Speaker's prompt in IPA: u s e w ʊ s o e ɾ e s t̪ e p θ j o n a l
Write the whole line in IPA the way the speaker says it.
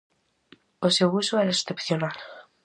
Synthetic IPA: o s e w u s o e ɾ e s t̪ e p θ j o n a l